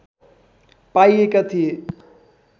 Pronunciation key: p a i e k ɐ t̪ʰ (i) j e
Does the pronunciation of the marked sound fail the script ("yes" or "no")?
no